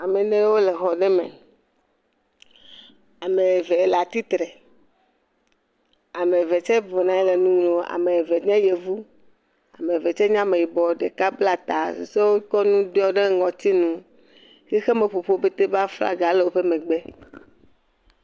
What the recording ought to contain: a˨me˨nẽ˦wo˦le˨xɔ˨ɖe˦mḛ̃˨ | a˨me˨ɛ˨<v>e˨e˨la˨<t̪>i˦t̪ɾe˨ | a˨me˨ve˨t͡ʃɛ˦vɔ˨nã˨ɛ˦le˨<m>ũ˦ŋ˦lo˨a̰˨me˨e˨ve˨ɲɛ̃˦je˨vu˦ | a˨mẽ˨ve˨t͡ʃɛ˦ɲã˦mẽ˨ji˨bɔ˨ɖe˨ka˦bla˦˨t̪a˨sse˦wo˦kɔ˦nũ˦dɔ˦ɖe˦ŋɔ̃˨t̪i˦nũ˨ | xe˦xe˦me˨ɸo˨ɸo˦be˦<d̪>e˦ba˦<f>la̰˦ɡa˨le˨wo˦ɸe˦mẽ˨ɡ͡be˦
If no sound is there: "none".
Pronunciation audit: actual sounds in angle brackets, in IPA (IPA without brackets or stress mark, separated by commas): v, t̪, n, t̪, f